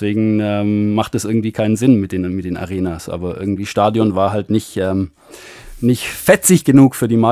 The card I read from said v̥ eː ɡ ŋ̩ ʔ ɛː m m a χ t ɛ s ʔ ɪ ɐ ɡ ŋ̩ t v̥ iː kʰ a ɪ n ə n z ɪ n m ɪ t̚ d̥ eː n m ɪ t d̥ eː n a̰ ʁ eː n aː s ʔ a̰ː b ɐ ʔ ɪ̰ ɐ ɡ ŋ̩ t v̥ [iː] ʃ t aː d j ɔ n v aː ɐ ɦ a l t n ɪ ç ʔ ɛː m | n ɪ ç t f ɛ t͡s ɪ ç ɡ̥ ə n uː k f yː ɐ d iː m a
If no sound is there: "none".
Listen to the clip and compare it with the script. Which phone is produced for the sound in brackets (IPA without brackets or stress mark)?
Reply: iː